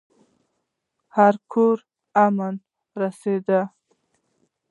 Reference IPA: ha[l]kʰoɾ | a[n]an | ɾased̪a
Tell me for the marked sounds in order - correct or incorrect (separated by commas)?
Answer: incorrect, incorrect